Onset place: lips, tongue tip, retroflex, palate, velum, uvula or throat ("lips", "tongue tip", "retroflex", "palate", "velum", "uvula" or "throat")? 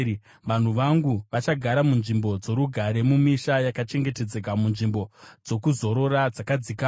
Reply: lips